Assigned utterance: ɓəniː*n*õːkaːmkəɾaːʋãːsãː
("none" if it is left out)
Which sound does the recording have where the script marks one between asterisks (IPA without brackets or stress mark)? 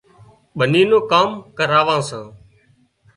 n